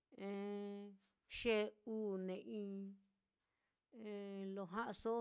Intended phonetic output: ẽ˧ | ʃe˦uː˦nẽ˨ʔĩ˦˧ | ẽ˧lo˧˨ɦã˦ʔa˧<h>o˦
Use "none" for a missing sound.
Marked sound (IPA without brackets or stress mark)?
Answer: s